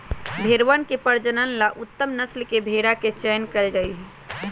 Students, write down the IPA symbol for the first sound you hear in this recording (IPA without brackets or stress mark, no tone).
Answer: bʱ